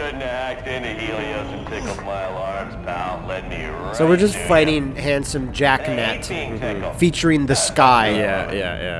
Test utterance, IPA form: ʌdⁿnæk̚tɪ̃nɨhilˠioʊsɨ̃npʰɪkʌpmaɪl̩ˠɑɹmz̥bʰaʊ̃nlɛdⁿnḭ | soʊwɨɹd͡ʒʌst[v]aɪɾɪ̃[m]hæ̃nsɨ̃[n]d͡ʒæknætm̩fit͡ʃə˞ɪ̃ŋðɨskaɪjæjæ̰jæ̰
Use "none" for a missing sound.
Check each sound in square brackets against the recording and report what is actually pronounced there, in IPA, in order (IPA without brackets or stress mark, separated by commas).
f, ŋ, m